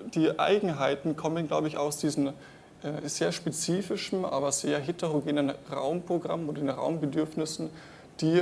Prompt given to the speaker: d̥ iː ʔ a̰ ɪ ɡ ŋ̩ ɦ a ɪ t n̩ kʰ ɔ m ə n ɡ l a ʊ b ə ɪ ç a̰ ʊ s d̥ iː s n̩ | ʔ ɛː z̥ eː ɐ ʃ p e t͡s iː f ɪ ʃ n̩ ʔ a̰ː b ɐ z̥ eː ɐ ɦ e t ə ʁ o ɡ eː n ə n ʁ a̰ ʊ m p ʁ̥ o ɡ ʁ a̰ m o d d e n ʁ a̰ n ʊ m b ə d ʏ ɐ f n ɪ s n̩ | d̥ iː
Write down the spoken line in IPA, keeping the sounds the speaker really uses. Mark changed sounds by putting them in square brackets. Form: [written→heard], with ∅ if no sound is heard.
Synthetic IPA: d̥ iː ʔ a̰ ɪ ɡ ŋ̩ ɦ a ɪ t n̩ kʰ ɔ m ə n ɡ l a ʊ b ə ɪ ç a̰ ʊ s d̥ iː [s→z] n̩ | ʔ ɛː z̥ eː ɐ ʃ p e t͡s iː f ɪ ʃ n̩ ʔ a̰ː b ɐ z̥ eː ɐ ɦ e t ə ʁ o ɡ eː n ə n ʁ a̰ ʊ m p ʁ̥ o ɡ ʁ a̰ m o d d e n ʁ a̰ [n→∅] ʊ m b ə d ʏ ɐ f n ɪ s n̩ | d̥ iː